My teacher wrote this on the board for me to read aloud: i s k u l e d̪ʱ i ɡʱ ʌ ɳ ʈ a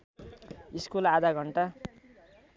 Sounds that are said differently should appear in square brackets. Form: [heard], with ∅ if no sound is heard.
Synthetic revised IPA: i s k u l [a] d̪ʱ [a] ɡʱ ʌ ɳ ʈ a